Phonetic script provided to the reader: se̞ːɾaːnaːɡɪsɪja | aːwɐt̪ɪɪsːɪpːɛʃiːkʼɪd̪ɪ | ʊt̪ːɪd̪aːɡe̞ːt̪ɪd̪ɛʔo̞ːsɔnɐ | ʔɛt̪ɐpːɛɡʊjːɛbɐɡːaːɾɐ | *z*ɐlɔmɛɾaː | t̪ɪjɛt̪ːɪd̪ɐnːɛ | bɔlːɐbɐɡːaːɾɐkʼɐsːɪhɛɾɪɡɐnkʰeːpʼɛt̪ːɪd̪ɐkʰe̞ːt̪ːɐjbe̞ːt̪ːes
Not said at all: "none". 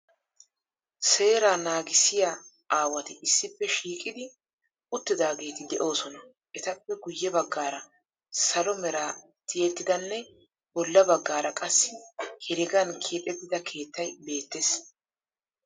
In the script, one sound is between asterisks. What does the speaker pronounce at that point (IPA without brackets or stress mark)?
s